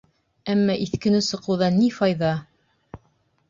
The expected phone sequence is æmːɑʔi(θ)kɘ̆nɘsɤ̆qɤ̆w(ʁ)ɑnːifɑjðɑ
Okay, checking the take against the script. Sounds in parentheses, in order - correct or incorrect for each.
correct, incorrect: ð

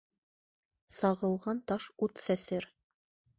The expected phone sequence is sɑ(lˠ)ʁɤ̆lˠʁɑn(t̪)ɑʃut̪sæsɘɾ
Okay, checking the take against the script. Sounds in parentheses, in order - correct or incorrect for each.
incorrect: none, correct

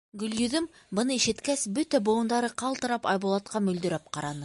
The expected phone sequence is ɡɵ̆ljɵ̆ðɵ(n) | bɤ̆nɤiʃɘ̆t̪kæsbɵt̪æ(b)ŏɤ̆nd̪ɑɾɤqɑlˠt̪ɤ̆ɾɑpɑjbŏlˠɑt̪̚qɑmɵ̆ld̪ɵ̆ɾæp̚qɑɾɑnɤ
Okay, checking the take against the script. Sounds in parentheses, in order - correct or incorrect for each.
incorrect: m, correct

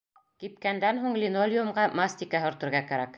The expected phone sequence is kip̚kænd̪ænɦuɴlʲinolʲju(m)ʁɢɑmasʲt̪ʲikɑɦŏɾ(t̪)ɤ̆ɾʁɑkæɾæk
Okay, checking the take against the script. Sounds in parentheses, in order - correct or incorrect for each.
correct, correct

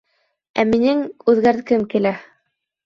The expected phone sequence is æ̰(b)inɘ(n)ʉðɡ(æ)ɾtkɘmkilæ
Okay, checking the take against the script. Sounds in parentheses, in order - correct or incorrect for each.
incorrect: m, incorrect: ŋ, correct

